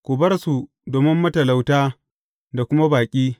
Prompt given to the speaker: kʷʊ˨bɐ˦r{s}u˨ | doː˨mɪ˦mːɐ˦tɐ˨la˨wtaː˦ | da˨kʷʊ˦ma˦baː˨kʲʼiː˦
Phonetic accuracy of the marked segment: correct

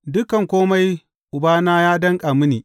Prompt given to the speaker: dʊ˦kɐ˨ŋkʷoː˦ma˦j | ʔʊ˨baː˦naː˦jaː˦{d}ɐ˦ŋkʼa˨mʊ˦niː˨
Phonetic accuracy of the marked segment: correct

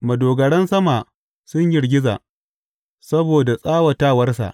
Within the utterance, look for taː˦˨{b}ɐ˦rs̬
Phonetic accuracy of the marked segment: incorrect: w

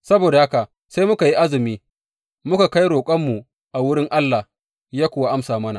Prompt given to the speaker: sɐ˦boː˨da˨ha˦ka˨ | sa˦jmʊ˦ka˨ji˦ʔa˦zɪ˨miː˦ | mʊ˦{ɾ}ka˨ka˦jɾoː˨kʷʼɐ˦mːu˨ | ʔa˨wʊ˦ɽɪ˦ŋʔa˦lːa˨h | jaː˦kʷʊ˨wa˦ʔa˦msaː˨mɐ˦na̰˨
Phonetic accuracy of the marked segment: incorrect: none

